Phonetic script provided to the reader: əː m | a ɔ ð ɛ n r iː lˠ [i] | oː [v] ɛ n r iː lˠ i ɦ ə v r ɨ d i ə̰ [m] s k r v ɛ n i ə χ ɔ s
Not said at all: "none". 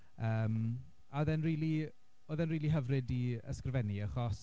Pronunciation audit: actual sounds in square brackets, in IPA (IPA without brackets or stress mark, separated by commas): i, ð, none